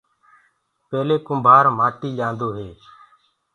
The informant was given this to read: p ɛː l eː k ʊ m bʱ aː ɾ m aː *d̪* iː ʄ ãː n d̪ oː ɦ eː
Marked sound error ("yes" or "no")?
yes